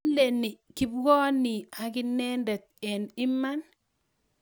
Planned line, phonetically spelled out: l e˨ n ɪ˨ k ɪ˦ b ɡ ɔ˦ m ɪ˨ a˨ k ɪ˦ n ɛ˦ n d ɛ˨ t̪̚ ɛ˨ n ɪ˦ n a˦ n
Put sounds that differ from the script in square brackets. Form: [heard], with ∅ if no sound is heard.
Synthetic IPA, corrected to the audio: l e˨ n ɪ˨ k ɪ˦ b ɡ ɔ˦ [n] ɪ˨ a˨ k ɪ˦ n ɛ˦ n d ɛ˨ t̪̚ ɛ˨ n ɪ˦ [m] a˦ n